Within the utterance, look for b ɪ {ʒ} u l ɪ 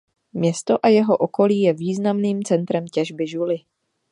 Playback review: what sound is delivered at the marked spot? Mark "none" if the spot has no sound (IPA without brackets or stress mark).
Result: ʒ